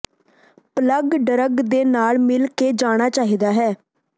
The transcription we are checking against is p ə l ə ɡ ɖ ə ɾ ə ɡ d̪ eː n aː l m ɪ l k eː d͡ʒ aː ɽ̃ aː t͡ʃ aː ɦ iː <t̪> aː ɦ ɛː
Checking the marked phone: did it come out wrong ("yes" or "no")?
yes